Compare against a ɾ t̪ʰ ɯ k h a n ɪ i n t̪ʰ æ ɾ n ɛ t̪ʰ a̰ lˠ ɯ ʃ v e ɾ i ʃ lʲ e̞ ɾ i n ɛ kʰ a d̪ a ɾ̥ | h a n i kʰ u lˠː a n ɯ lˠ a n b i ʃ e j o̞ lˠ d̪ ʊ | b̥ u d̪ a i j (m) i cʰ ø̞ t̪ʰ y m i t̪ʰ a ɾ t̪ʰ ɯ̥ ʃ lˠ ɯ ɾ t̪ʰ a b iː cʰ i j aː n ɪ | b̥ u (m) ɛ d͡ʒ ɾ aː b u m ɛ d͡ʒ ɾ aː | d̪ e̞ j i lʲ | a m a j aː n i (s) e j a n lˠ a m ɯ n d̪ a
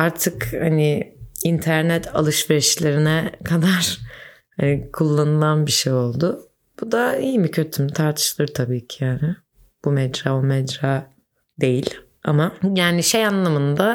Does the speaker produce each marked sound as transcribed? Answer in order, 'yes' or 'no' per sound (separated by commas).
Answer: yes, yes, no